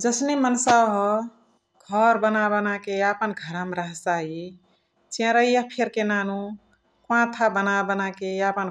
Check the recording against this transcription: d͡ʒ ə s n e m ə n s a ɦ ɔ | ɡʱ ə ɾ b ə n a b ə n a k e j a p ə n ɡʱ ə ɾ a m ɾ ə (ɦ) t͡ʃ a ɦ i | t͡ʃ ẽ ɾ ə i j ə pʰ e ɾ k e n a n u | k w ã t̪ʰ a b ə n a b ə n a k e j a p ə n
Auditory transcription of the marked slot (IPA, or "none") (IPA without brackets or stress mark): ɦ